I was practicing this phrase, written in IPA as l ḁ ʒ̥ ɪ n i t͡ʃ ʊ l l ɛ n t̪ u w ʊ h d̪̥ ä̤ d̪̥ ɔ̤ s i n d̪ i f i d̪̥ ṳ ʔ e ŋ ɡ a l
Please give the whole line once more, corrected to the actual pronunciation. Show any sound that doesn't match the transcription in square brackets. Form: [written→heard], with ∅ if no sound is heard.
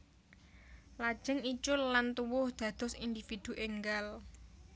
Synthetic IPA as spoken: l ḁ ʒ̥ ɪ [n→ŋ] i t͡ʃ ʊ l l [ɛ→a] n t̪ u w ʊ h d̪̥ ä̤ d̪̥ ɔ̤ s i n d̪ i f i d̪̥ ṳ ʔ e ŋ ɡ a l